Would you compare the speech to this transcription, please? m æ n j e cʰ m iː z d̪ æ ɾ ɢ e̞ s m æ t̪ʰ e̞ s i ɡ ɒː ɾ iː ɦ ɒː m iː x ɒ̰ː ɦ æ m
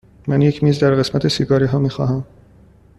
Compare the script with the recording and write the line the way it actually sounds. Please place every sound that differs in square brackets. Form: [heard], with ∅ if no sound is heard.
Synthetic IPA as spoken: m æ n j e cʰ m iː z d̪ æ ɾ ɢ e̞ s m æ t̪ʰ e̞ s i ɡ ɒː ɾ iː ɦ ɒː m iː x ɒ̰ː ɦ æ m

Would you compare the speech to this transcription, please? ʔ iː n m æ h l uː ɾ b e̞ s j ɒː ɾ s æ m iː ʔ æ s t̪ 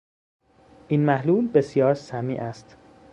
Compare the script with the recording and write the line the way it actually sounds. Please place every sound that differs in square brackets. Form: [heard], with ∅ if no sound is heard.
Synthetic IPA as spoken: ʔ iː n m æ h l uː [l] b e̞ s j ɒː ɾ s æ m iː ʔ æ s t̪

